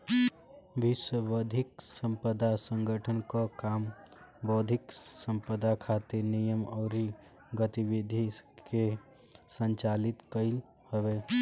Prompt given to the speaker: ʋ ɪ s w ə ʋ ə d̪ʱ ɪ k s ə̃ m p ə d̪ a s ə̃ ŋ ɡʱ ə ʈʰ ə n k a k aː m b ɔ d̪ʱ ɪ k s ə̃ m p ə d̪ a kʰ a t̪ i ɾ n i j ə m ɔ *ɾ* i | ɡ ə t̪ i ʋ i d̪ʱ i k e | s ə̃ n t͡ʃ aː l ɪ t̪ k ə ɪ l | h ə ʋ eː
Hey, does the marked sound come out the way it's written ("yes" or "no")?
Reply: yes